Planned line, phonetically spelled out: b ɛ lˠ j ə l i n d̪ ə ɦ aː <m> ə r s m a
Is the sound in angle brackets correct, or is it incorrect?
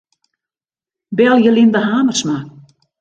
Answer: correct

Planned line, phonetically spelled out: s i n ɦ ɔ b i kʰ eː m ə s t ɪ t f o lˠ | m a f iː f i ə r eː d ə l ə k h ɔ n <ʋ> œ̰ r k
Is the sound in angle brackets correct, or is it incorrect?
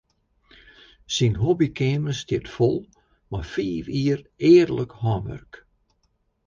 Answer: correct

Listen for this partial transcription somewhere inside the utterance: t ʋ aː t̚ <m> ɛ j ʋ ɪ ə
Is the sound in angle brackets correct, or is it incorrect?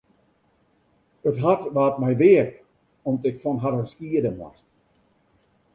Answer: correct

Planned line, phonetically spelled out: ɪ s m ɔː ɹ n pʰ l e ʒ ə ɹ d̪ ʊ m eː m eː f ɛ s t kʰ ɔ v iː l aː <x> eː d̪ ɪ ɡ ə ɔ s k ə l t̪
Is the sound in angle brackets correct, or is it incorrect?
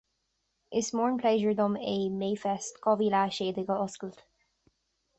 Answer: incorrect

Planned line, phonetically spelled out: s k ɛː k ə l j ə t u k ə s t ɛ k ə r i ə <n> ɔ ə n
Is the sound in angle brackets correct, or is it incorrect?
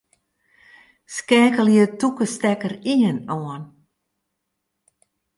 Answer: correct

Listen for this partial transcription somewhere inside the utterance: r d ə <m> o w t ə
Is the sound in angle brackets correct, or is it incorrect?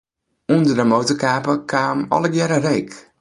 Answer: correct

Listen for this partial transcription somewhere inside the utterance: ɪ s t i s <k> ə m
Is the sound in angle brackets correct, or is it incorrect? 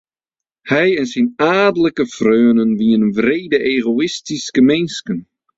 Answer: correct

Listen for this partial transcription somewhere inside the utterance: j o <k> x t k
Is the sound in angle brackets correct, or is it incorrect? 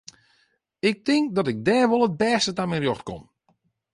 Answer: incorrect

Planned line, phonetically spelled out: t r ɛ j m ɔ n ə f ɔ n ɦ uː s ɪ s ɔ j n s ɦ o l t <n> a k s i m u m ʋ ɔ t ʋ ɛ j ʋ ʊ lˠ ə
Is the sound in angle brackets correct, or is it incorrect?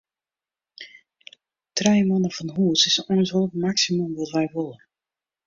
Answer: incorrect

